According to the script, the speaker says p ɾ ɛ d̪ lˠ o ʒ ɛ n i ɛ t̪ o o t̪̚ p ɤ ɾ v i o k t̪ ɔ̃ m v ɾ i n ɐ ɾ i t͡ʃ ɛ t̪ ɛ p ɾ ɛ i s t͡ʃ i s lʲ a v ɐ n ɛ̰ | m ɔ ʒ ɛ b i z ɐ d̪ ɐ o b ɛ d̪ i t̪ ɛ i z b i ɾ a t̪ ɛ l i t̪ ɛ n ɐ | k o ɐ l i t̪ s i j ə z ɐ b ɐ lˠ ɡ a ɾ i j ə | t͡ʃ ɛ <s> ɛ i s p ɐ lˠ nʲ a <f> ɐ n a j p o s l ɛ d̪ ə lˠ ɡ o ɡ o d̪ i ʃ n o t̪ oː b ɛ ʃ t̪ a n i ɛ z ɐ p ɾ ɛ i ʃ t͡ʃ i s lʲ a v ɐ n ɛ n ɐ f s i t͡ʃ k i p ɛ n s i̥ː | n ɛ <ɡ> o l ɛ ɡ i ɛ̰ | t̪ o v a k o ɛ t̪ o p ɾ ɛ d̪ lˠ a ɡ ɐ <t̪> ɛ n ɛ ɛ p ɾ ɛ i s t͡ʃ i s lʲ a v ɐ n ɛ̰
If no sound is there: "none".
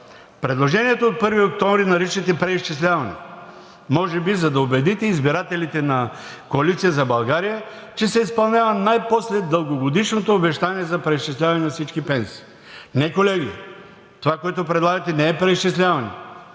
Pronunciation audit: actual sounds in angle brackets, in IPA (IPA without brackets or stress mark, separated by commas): s, v, k, t̪